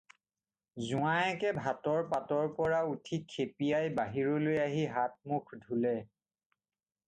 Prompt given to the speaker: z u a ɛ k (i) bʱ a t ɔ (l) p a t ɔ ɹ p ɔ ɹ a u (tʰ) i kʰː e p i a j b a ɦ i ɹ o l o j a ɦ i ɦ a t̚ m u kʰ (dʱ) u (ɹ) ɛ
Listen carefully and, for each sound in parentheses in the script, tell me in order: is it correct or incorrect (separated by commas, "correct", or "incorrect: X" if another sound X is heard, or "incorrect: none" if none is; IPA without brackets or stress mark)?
incorrect: ɛ, incorrect: ɹ, correct, correct, incorrect: l